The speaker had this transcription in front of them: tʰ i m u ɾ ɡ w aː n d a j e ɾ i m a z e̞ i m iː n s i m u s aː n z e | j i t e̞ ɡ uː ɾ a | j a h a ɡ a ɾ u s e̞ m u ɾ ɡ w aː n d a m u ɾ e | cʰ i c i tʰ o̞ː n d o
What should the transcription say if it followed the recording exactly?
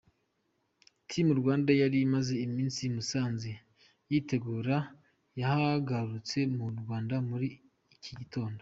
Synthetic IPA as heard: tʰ i m u ɾ ɡ w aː n d a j a ɾ i m a z e̞ i m iː n s i m u s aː n z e | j i t e̞ ɡ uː ɾ a | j a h a ɡ a ɾ u t͡s e̞ m u ɾ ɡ w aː n d a m u ɾ i | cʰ i ɟ i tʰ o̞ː n d o

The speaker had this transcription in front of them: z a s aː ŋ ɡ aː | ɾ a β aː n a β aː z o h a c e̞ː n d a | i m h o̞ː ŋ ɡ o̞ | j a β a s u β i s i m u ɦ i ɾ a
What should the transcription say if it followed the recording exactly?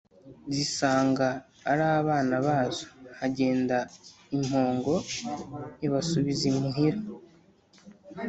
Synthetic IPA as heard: z i s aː ŋ ɡ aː | ɾ a β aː n a β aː z o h a ɟ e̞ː n d a | i m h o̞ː ŋ ɡ o̞ | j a β a s u β i z i m u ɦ i ɾ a

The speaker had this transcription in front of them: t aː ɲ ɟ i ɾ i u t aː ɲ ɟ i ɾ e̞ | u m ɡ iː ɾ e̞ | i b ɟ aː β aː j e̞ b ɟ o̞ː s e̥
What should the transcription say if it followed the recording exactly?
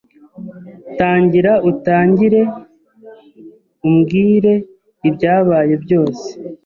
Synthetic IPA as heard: t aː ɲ ɟ i ɾ a u t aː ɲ ɟ i ɾ e̞ | u m ɡ iː ɾ e̞ | i b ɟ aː β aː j e̞ b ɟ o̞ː s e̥

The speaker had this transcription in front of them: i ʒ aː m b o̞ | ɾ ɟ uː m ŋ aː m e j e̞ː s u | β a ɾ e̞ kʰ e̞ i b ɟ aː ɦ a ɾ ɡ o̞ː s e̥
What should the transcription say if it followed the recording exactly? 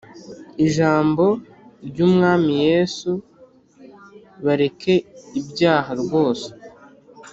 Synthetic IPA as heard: i ʒ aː m b o̞ | ɾ ɟ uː m ŋ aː m i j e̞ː s u | β a ɾ e̞ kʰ e̞ i b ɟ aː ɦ a ɾ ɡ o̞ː s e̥

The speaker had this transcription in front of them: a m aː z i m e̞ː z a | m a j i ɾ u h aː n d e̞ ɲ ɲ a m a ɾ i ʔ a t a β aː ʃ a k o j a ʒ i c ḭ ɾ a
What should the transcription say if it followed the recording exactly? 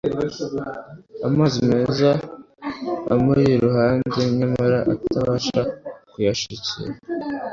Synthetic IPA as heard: a m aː z i m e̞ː z a | m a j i ɾ u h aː n d e̞ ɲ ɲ a m a ɾ a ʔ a t a β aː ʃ a k u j a ʃ i c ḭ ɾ a

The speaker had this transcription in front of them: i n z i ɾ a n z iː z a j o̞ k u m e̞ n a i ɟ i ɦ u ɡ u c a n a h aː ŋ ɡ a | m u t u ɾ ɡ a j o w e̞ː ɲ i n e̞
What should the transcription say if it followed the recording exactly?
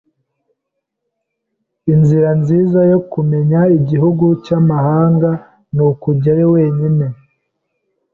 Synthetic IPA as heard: i n z i ɾ a n z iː z a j o̞ k u m e̞ ɲ a i ɟ i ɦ u ɡ u c a m a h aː ŋ ɡ a | n u k u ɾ ɟ a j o w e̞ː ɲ i n e̞

